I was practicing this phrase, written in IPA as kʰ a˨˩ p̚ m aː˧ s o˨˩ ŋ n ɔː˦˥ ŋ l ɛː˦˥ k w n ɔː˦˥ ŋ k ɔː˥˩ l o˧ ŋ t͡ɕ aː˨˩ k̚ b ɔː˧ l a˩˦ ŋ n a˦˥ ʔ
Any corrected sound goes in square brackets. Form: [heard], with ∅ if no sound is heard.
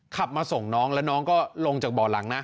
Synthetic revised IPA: kʰ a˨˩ p̚ m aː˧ s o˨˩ ŋ n ɔː˦˥ ŋ l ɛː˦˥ [∅] w n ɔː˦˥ ŋ k ɔː˥˩ l o˧ ŋ t͡ɕ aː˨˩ k̚ b [ɔː˨˩] l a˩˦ ŋ n a˦˥ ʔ